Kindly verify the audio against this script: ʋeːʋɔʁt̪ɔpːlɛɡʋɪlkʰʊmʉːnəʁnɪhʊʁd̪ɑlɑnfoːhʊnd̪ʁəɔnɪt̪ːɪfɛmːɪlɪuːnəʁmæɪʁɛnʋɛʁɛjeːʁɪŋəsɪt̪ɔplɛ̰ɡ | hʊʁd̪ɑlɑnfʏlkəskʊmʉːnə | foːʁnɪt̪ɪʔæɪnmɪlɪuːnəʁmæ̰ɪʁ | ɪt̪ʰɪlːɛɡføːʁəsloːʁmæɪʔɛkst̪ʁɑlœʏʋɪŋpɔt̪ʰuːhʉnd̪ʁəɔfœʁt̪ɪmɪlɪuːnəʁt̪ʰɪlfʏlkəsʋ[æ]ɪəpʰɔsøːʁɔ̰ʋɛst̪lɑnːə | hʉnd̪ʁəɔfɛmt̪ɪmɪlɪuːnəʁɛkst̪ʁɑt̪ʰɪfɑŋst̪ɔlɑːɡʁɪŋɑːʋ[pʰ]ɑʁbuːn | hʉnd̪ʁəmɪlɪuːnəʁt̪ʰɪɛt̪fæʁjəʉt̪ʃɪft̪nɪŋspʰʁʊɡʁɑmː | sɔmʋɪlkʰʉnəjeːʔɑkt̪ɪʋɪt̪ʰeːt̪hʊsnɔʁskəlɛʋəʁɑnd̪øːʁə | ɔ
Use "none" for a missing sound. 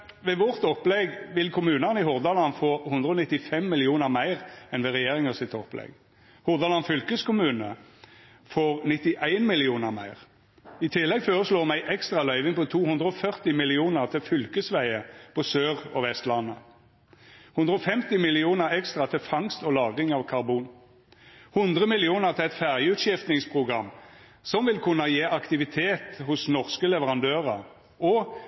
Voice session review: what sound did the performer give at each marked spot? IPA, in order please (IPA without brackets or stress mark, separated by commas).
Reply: æ, kʰ